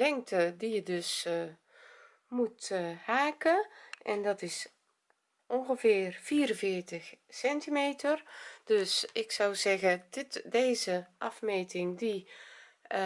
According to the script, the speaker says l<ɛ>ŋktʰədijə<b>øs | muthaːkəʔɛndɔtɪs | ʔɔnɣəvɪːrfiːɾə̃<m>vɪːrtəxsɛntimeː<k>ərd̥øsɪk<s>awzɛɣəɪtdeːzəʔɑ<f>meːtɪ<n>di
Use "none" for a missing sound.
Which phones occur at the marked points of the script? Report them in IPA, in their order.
ɛ, d, n, t, s, f, ŋ

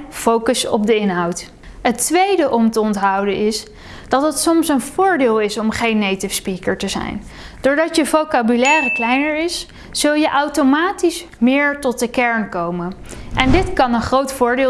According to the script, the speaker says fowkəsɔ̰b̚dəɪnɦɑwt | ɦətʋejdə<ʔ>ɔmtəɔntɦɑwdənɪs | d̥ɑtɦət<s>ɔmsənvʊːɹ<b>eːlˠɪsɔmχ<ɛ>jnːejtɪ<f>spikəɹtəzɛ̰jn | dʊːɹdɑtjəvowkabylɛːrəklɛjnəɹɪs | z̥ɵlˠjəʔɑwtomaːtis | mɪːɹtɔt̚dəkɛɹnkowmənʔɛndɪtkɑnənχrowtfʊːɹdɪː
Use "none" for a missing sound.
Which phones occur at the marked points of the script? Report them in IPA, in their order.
ʔ, s, d, e, f

